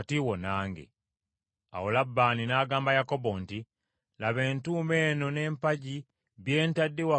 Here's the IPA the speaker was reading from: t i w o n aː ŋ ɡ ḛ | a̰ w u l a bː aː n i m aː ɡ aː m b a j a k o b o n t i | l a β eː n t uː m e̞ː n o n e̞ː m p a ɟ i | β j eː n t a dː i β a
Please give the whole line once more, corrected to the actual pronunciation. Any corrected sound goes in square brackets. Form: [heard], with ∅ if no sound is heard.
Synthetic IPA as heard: t i w o n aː ŋ ɡ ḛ | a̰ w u l a bː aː n i [n] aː ɡ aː m b a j a k o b o n t i | l a β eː n t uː m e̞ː n o n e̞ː m p a ɟ i | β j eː n t a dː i [w] a